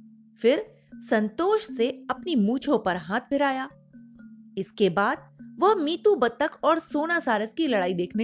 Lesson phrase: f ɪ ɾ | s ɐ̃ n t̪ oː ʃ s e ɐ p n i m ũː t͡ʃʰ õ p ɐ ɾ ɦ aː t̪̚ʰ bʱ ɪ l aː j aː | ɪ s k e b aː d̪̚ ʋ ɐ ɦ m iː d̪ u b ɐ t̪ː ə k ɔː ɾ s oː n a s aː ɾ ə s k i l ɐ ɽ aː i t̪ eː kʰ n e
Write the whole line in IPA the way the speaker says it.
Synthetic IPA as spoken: f ɪ ɾ | s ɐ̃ n t̪ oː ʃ s e ɐ p n i m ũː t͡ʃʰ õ p ɐ ɾ ɦ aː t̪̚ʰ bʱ ɪ ɾ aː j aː | ɪ s k e b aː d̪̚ ʋ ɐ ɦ m iː t̪ u b ɐ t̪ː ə k ɔː ɾ s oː n a s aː ɾ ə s k i l ɐ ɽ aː i d̪ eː kʰ n e